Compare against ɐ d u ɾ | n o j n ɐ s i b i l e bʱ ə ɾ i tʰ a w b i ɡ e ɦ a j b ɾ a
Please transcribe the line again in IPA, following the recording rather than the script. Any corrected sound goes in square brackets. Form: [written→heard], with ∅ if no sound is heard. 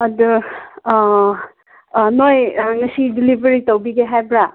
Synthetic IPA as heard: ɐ d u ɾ | n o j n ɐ s i [b→d] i l [e→i] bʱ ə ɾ i [tʰ→t] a w b i ɡ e ɦ a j b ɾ a